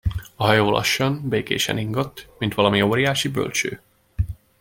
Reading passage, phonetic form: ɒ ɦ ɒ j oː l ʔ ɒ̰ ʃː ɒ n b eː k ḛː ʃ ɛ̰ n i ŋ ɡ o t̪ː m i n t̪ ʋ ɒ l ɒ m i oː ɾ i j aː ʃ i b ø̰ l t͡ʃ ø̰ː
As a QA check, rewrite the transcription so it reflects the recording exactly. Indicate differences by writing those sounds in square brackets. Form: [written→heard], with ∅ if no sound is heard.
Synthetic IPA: ɒ ɦ ɒ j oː l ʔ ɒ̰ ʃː ɒ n b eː k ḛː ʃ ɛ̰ n i ŋ ɡ o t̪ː m i n t̪ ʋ ɒ l ɒ m i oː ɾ i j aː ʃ i b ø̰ l t͡ʃ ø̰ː